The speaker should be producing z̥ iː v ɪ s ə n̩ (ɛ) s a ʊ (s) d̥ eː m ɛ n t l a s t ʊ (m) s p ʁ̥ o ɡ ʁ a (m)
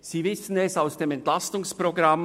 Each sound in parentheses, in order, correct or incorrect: correct, correct, incorrect, correct

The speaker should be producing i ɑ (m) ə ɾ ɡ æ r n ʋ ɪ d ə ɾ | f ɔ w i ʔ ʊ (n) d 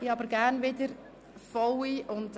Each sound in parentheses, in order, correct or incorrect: incorrect, correct

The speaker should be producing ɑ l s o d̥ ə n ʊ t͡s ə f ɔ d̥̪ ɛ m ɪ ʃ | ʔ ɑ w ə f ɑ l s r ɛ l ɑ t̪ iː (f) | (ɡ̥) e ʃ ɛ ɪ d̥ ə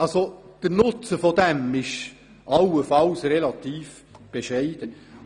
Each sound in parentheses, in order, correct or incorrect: correct, incorrect

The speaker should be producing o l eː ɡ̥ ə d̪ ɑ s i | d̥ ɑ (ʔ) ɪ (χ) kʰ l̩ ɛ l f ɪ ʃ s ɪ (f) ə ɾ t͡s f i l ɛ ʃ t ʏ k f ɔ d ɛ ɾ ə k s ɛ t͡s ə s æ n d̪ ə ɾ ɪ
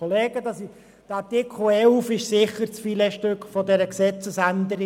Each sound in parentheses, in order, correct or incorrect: incorrect, incorrect, incorrect

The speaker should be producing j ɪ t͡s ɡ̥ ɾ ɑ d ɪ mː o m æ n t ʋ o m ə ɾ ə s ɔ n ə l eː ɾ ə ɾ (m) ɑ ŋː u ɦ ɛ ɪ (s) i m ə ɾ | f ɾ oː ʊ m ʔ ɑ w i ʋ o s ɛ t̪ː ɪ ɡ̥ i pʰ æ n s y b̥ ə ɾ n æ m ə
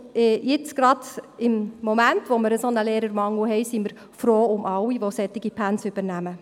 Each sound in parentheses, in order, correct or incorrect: correct, correct

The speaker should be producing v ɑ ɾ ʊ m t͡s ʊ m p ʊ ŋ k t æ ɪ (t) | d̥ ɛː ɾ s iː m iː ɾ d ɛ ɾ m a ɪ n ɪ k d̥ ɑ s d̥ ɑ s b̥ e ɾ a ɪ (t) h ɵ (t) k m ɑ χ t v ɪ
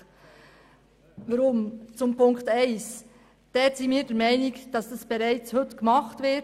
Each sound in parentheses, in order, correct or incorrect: incorrect, incorrect, correct

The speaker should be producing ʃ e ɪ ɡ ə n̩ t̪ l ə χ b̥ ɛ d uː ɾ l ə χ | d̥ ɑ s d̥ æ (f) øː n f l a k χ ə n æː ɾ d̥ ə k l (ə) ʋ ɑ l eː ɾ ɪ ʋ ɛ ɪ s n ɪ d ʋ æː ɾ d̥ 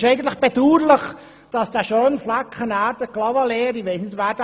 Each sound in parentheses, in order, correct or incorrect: incorrect, incorrect

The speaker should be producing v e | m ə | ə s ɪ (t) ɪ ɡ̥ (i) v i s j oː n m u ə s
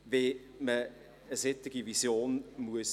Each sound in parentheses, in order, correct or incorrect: correct, correct

